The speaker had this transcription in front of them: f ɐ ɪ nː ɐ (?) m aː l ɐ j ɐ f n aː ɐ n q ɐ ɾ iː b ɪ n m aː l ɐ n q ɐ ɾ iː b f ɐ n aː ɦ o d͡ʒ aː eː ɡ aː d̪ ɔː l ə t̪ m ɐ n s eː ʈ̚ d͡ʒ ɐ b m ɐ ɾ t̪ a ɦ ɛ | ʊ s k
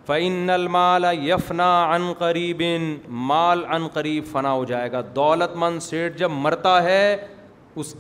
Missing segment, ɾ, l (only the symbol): l